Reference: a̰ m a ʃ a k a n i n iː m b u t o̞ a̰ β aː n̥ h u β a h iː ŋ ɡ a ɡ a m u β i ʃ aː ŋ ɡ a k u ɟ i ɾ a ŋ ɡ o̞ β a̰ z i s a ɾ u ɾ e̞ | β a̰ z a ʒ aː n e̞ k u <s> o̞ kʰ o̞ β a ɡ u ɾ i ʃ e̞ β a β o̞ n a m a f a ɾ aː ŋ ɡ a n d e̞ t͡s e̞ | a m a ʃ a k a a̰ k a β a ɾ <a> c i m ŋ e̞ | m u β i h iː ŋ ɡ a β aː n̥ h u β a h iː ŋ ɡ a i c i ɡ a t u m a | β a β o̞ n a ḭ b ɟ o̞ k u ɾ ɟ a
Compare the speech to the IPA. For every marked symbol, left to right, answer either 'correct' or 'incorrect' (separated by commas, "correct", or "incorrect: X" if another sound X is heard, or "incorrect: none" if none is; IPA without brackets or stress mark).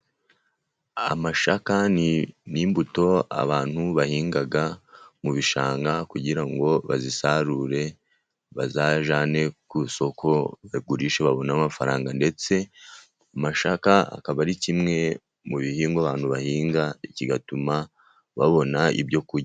correct, incorrect: i